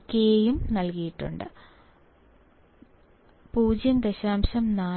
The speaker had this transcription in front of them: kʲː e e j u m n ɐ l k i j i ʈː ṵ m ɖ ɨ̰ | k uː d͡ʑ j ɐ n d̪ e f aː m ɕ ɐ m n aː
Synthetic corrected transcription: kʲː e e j u m n ɐ l k i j i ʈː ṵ ɳ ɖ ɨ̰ | p uː d͡ʑ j ɐ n d̪ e ɕ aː m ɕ ɐ m n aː

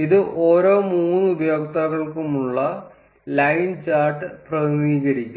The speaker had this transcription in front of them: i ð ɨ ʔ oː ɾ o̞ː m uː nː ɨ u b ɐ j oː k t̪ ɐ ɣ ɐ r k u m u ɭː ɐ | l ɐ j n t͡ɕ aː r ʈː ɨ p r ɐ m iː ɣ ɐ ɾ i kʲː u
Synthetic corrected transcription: i ð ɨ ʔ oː ɾ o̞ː m uː nː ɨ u b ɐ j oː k t̪ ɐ ɣ ɐ ɭ k u m u ɭː ɐ | l ɐ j n t͡ɕ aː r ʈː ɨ p r ɐ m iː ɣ ɐ ɾ i kʲː u

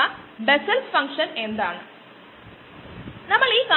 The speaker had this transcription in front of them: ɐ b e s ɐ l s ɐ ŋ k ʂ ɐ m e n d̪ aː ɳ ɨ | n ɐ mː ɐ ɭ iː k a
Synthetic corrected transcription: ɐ b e s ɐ l f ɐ ŋ k ʂ ɐ n e n d̪ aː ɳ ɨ | n ɐ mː ɐ ɭ iː k a

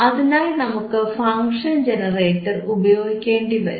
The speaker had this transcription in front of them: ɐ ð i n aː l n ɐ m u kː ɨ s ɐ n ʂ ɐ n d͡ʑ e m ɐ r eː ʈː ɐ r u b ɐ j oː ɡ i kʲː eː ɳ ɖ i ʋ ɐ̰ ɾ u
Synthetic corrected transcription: ɐ ð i n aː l n ɐ m u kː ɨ f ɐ ŋ ʂ ɐ n d͡ʑ e n ɐ r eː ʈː ɐ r u b ɐ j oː ɡ i kʲː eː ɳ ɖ i ʋ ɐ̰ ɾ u

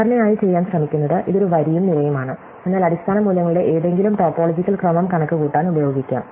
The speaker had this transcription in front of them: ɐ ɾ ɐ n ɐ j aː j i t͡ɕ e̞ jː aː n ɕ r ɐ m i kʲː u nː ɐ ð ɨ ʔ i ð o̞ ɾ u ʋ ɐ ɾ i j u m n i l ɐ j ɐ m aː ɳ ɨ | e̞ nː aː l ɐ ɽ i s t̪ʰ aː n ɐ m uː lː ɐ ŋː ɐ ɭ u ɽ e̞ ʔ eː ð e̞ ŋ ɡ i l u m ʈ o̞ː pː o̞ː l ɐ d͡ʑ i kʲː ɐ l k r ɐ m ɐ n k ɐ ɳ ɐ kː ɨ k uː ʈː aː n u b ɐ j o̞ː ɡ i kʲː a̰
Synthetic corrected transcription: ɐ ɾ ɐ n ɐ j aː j i t͡ɕ e̞ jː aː n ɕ r ɐ m i kʲː u nː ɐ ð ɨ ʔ i ð o̞ ɾ u ʋ ɐ ɾ i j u m n i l ɐ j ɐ m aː ɳ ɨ | e̞ nː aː l ɐ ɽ i s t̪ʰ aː n ɐ m uː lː ɐ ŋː ɐ ɭ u ɽ e̞ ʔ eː ð e̞ ŋ ɡ i l u m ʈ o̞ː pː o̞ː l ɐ d͡ʑ i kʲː ɐ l k r ɐ m ɐ m k ɐ ɳ ɐ kː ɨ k uː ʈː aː n u b ɐ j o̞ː ɡ i kʲː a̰

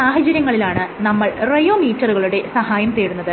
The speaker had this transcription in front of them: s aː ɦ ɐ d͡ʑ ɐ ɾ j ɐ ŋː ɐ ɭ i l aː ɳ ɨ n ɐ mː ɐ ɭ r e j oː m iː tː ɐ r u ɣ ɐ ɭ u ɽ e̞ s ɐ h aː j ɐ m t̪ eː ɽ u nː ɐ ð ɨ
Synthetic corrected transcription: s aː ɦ ɐ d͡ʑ ɐ ɾ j ɐ ŋː ɐ ɭ i l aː ɳ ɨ n ɐ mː ɐ ɭ r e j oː m iː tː ɐ r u ɣ ɐ ɭ u ɽ e̞ s ɐ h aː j ɐ m t̪ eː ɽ u nː ɐ ð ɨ

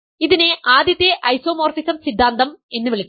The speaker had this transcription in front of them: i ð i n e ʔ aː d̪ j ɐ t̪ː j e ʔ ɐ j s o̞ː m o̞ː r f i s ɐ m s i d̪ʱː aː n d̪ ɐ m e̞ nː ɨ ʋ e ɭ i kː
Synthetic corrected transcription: i ð i n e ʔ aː d̪ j ɐ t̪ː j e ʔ ɐ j s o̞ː m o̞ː r f i s ɐ m s i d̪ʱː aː n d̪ ɐ m e̞ nː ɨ ʋ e ɭ i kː

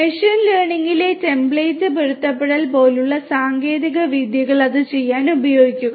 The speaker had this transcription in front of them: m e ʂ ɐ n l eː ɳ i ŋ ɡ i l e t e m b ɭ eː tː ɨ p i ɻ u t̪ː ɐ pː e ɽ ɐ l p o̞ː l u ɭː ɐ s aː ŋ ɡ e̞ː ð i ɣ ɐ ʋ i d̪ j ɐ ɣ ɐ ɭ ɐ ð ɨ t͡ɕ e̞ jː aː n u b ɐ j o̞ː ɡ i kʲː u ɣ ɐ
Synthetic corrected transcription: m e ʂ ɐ n l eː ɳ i ŋ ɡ i l e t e m b ɭ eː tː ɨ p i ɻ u t̪ː ɐ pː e ɽ ɐ l p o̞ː l u ɭː ɐ s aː ŋ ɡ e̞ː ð i ɣ ɐ ʋ i d̪ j ɐ ɣ ɐ ɭ ɐ ð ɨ t͡ɕ e̞ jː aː n u b ɐ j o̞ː ɡ i kʲː u ɣ ɐ

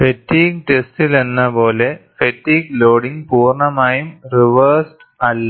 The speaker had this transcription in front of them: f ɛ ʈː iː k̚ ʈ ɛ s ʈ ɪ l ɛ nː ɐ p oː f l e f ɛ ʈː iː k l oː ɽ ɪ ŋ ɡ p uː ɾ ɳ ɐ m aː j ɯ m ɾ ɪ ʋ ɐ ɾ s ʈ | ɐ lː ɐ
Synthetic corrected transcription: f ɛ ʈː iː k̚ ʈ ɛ s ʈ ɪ l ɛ nː ɐ p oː l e f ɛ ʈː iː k l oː ɽ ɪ ŋ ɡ p uː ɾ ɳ ɐ m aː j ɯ m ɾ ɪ ʋ ɐ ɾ s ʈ | ɐ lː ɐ

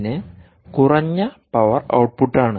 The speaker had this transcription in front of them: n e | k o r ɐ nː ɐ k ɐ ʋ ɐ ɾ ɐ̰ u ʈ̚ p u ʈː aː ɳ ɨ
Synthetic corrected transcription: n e | k u r ɐ ɲː ɐ p ɐ ʋ ɐ r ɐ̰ w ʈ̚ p u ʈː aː ɳ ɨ

